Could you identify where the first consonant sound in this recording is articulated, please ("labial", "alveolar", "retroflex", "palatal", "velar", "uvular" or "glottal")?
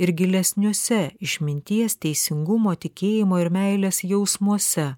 alveolar